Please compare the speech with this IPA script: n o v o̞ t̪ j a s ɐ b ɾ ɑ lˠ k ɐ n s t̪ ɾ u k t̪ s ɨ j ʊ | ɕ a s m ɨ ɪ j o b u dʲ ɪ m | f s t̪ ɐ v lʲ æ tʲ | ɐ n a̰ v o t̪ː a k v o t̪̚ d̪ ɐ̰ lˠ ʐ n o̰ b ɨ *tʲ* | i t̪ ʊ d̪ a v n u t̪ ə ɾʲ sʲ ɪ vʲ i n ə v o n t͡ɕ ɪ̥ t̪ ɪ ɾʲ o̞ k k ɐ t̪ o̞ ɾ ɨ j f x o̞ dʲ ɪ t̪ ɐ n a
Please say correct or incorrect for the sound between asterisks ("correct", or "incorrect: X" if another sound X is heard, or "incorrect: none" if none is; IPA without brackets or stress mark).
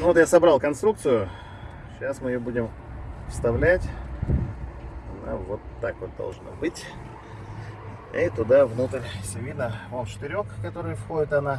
correct